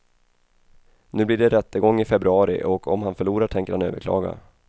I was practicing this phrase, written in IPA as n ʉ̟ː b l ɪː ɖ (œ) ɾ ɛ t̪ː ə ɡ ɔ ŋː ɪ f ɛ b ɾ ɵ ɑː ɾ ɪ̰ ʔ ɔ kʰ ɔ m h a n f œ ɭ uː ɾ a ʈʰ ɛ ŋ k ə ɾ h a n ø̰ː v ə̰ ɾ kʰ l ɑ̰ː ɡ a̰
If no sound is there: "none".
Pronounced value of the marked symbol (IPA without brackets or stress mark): ɛ